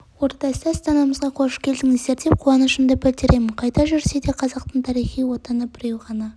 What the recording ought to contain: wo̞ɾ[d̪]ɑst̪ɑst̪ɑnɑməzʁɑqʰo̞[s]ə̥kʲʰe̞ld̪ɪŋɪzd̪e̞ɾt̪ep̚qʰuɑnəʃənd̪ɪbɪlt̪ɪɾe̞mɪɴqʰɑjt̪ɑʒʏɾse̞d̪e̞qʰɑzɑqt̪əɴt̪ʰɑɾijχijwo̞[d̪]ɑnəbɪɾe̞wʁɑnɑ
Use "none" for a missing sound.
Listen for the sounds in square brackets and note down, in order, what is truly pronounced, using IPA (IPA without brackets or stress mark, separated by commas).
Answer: t̪, ʃ, t̪